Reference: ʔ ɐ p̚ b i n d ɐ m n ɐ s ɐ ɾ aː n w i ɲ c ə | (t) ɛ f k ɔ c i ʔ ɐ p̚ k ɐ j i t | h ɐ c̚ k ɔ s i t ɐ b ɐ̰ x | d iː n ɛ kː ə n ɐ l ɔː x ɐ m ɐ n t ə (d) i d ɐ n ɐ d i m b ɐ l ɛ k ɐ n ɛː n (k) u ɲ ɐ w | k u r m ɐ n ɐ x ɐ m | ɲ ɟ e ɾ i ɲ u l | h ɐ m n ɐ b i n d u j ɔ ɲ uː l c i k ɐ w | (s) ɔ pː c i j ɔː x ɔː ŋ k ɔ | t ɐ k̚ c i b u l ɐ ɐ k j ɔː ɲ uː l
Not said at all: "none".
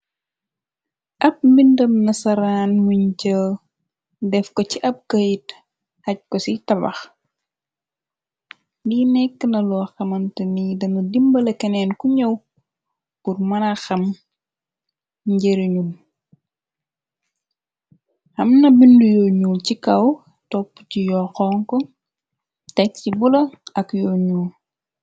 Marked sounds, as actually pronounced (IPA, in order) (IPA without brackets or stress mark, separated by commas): d, n, k, t